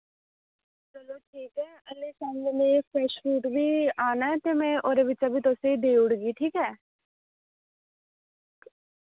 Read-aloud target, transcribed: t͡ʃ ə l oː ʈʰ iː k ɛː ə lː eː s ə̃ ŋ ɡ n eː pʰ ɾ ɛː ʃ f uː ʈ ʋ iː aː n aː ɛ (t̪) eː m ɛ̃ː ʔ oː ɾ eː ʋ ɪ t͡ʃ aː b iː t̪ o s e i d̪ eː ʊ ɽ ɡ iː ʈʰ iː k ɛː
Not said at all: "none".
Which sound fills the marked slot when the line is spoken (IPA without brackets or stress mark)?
t̪